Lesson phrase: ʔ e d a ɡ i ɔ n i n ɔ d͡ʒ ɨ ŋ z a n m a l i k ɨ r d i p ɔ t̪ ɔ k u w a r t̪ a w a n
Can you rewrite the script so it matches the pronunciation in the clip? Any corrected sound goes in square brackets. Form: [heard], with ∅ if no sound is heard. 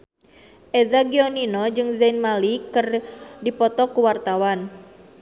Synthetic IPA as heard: ʔ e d a ɡ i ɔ n i n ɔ d͡ʒ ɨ ŋ z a n m a l i k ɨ r d i p ɔ t̪ ɔ k u w a r t̪ a w a n